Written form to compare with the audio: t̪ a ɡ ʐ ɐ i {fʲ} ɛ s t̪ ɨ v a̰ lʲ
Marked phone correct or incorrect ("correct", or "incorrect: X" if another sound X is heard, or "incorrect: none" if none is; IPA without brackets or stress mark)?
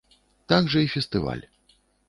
correct